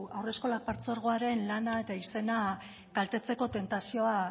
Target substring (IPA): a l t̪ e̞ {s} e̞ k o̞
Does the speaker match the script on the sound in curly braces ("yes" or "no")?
no